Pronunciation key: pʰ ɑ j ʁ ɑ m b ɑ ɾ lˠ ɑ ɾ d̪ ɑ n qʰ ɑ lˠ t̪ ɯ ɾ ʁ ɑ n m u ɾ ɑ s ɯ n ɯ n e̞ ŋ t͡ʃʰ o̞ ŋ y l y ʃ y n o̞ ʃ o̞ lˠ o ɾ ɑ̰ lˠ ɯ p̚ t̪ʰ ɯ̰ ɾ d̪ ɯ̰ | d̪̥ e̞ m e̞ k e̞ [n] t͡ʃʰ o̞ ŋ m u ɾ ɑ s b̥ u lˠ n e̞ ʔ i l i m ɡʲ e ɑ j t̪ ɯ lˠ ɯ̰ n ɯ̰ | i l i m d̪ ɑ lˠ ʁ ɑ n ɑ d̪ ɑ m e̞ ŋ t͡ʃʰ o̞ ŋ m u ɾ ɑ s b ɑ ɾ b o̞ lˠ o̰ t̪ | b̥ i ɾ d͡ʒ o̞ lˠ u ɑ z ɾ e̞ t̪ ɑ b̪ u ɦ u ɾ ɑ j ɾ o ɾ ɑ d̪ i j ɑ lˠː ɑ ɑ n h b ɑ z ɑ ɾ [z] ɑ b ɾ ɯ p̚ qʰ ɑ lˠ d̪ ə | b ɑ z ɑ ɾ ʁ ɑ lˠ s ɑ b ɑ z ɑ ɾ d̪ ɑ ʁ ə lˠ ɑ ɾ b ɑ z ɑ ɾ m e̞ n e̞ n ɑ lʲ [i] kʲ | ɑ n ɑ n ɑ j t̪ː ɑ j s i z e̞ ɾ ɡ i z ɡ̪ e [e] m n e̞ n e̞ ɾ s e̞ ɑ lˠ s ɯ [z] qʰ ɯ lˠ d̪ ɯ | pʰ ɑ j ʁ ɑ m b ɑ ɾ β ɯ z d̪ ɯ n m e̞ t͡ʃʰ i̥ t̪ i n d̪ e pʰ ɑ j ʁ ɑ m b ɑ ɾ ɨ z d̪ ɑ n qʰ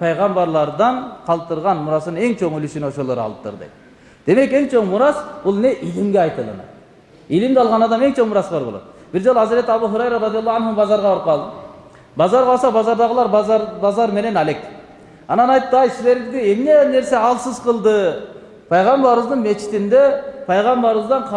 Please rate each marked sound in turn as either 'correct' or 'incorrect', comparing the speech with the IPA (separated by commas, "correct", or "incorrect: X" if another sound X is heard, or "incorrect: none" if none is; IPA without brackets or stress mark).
incorrect: ŋ, incorrect: ʁ, incorrect: e, correct, correct